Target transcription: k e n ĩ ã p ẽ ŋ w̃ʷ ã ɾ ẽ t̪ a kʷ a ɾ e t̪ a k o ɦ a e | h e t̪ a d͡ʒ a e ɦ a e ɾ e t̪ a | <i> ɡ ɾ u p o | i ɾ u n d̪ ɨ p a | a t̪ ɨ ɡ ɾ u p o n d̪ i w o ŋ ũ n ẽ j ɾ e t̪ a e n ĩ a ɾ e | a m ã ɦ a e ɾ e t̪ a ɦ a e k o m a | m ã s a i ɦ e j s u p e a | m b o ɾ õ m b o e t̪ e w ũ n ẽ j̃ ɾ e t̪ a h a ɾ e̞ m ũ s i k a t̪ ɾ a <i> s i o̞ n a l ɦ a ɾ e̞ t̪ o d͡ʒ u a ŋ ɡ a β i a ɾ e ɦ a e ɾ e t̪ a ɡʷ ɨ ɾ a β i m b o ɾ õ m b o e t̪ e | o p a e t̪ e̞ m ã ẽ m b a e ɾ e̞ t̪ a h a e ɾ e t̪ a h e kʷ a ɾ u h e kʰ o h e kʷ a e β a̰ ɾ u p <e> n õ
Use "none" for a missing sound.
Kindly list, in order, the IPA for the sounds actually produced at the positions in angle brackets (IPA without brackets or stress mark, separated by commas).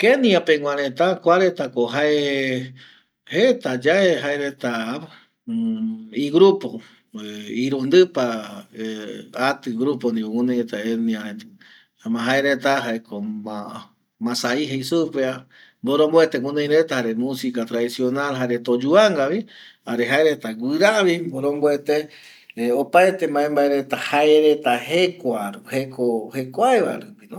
i, i, i